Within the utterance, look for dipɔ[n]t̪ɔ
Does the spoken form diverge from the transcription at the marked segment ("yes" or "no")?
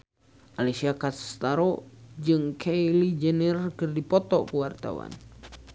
yes